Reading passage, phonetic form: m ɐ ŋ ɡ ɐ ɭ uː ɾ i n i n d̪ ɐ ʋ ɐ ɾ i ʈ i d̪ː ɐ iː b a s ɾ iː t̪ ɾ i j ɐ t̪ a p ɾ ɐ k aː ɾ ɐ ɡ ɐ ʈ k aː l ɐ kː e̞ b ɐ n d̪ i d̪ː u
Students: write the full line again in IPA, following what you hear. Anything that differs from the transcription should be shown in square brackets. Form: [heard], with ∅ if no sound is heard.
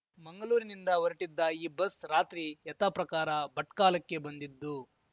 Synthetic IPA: m ɐ ŋ ɡ ɐ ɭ uː ɾ i n i n d̪ ɐ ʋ ɐ ɾ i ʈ i d̪ː ɐ iː b [ɐ] s ɾ [aː] t̪ ɾ i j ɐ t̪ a p ɾ ɐ k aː ɾ ɐ [b] ɐ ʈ k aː l ɐ kː e̞ b ɐ n d̪ i d̪ː u